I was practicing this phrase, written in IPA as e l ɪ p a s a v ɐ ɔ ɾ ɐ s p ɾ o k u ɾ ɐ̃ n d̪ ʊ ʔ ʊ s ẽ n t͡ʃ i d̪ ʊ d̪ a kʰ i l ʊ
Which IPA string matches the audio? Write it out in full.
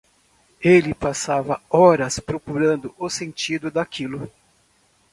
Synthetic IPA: e l ɪ p a s a v ɐ ɔ ɾ ɐ s p ɾ o k u ɾ ɐ̃ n d̪ ʊ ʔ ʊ s ẽ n t͡ʃ i d̪ ʊ d̪ a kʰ i l ʊ